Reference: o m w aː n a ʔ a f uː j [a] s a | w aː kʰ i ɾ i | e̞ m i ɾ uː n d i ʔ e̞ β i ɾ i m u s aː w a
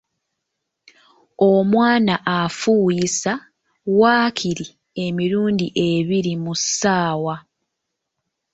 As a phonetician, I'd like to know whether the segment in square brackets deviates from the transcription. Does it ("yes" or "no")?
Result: yes